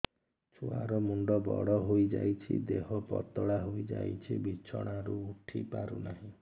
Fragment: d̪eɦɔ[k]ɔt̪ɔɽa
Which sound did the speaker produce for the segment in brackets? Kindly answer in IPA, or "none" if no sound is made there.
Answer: p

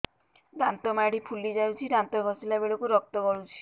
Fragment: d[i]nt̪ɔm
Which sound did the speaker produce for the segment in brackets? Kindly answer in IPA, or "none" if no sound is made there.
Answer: a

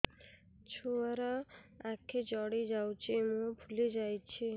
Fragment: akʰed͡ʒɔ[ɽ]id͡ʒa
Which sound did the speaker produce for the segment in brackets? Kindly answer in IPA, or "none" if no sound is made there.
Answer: ɽ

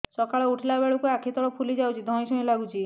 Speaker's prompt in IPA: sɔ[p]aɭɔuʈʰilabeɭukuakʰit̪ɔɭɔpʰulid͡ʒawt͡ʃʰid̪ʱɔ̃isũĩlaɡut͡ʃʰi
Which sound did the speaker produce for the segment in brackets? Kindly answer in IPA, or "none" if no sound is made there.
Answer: k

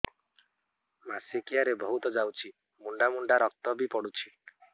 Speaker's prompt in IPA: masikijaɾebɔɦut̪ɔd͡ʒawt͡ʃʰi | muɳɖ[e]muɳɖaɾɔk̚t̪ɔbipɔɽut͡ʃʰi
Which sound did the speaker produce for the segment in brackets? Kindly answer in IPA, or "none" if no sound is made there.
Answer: a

